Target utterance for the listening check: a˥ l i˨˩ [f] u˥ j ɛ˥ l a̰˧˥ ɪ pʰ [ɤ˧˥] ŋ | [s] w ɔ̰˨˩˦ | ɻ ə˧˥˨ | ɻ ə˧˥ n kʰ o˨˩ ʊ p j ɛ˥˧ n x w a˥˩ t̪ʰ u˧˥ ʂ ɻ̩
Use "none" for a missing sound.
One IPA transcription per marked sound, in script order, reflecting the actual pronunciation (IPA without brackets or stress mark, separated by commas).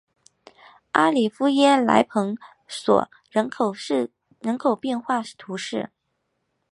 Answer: f, ɤ˧˥, s